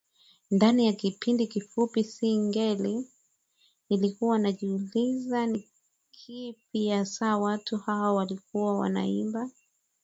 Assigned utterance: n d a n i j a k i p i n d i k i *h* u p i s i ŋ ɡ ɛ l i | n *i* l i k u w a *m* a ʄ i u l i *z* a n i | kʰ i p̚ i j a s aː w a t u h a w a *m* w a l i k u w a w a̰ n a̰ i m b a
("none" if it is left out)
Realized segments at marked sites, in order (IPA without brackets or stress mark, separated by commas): f, i, n, z, none